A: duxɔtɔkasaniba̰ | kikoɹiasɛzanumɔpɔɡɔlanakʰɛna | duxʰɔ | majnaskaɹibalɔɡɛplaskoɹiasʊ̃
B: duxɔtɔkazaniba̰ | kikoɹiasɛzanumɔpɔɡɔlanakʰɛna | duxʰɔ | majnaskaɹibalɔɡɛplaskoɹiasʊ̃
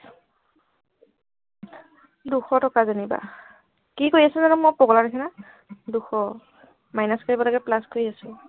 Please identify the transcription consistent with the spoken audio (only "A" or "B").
B